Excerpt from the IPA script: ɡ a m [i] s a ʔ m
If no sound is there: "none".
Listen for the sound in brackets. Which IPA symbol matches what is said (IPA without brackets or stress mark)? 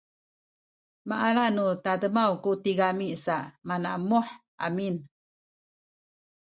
i